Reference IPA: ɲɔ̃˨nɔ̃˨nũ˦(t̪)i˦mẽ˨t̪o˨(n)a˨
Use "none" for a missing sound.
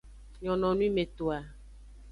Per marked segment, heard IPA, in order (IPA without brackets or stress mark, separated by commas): none, none